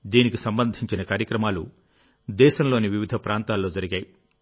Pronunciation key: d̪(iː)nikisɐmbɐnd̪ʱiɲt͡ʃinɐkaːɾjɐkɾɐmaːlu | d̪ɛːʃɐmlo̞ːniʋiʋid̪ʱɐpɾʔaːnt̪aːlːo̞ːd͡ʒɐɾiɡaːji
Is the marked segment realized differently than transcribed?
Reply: no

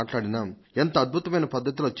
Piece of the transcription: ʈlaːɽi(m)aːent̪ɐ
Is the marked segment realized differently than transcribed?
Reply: yes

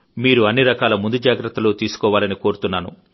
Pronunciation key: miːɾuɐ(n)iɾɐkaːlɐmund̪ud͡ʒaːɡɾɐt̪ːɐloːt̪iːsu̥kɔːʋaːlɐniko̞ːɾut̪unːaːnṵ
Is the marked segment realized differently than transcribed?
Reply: yes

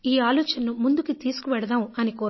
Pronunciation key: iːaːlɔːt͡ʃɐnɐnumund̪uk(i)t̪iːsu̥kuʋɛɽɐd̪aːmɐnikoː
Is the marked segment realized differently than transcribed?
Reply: no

